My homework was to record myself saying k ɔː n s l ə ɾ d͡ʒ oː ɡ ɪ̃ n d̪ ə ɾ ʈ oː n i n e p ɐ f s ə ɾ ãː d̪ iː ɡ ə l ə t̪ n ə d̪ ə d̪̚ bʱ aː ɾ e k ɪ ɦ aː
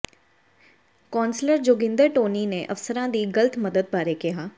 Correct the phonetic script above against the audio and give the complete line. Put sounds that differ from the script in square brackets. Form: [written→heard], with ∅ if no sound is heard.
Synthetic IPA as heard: k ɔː n s l ə ɾ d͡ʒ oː ɡ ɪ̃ n d̪ ə ɾ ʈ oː n i n e [p→ʔ] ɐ f s ə ɾ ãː d̪ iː ɡ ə l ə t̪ [n→m] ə d̪ ə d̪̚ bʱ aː ɾ e k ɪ ɦ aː